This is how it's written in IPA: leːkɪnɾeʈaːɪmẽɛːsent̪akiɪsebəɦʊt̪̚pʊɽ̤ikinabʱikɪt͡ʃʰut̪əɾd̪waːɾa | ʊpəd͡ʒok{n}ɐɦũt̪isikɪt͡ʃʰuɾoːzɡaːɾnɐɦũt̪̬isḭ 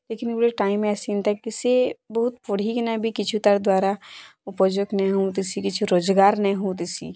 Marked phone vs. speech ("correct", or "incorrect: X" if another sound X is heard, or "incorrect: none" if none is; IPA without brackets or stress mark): correct